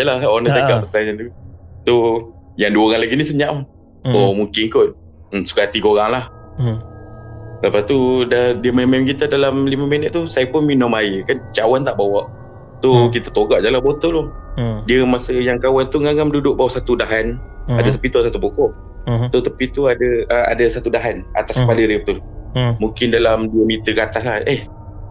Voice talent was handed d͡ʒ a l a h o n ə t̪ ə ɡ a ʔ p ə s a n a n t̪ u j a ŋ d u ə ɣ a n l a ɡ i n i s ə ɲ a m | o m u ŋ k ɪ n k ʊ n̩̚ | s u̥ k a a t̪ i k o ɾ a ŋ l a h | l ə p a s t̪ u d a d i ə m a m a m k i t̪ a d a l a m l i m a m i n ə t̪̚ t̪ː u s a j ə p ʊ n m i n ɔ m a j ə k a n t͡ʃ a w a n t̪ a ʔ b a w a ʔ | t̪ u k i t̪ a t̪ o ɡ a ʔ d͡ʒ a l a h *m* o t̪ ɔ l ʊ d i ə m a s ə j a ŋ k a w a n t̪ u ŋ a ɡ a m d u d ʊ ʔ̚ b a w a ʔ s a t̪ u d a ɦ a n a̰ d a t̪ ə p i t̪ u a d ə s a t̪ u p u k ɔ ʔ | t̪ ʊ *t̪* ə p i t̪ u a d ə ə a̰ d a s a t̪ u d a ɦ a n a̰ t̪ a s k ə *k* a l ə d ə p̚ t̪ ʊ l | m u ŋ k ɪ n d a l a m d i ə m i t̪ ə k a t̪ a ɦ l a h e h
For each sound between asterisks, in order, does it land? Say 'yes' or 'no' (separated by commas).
no, yes, no